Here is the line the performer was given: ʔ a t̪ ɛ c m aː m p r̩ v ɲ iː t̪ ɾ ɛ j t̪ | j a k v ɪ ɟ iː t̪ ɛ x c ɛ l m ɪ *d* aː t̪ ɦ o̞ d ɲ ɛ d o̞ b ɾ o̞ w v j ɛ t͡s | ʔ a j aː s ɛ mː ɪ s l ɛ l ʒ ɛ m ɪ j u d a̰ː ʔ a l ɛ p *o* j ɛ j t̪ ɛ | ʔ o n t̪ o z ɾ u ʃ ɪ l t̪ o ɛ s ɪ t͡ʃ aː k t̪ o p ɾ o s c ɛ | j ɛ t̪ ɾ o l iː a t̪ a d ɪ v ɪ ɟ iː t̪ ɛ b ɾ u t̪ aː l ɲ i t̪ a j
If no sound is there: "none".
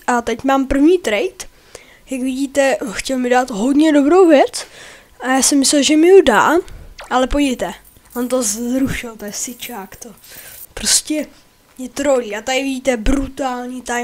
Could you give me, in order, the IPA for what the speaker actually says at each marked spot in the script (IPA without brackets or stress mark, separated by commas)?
d, o